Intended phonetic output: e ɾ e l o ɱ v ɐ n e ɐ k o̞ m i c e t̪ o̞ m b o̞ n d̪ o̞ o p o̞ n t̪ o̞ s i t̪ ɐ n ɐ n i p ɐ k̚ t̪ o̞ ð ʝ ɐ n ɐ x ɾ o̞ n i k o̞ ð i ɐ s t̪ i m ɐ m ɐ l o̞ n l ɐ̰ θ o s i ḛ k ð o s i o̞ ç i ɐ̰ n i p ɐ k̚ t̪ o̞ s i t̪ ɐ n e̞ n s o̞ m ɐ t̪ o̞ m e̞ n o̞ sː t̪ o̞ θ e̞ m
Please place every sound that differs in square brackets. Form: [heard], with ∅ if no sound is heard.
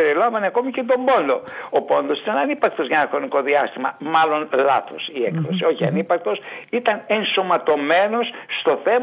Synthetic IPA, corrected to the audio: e ɾ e l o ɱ v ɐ n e ɐ k o̞ m i c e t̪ o̞ m b o̞ n d̪ o̞ o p o̞ n [d̪] o̞ s i t̪ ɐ n ɐ n i p ɐ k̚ t̪ o̞ [z] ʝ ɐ n ɐ x ɾ o̞ n i k o̞ ð i ɐ s t̪ i m ɐ m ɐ l o̞ n l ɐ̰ θ o s i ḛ k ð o s i o̞ ç i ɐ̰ n i p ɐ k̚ t̪ o̞ s i t̪ ɐ n e̞ n s o̞ m ɐ t̪ o̞ m e̞ n o̞ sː t̪ o̞ θ e̞ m